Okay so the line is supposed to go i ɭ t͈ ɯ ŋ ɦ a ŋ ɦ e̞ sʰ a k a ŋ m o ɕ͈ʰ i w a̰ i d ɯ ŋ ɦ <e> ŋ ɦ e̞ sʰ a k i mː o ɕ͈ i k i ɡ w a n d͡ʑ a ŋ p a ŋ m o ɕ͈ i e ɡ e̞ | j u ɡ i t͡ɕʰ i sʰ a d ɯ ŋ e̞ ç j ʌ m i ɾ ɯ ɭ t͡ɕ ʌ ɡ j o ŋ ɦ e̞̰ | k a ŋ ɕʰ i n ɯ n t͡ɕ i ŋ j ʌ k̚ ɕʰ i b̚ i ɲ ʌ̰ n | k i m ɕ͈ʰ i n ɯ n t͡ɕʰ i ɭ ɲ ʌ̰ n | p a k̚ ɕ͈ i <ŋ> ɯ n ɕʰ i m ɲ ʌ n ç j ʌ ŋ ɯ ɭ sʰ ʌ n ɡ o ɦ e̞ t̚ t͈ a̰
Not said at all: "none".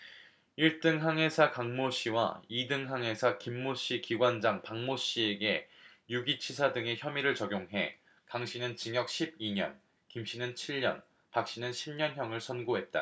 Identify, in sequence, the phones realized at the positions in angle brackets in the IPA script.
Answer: a, n

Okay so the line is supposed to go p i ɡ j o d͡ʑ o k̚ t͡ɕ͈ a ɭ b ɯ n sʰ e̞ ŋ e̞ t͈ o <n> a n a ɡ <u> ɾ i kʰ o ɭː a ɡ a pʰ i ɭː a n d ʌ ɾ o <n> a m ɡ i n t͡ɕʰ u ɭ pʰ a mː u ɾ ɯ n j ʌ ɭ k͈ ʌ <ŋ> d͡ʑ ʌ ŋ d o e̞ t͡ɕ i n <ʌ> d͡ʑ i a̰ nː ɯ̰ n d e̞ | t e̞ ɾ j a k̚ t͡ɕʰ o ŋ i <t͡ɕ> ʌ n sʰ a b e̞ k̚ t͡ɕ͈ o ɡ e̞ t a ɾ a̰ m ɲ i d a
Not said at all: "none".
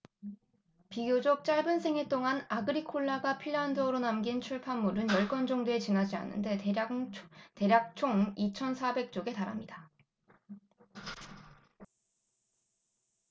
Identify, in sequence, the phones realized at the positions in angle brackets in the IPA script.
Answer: ŋ, ɯ, n, n, a, t͡ɕʰ

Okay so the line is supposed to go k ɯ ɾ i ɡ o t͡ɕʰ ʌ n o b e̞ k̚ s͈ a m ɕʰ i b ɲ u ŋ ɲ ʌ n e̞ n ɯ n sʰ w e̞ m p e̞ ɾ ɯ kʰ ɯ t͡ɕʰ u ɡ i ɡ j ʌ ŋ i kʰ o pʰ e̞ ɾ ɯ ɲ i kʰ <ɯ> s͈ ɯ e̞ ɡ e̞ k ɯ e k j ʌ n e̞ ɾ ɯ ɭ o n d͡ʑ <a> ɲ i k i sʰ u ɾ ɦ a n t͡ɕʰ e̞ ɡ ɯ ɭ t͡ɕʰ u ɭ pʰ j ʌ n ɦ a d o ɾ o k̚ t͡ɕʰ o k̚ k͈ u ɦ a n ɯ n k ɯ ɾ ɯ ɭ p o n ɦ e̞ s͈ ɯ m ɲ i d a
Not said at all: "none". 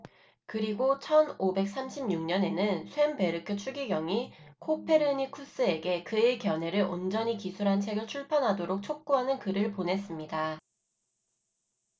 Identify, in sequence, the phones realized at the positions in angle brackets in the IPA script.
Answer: u, ʌ

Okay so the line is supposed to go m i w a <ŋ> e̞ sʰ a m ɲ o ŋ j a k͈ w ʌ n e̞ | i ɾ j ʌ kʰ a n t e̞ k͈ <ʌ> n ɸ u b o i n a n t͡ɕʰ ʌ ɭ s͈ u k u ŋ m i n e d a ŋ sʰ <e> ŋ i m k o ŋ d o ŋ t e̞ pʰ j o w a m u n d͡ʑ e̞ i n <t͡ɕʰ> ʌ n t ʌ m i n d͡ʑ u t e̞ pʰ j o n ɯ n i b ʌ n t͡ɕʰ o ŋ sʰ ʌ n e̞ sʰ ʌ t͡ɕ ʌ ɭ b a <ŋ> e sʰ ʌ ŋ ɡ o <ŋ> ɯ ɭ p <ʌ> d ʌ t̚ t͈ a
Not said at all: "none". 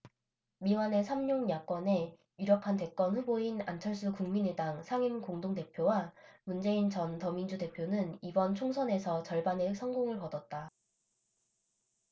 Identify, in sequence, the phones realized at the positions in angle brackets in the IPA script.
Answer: n, ʌ, a, t͡ɕ, n, ŋ, ʌ

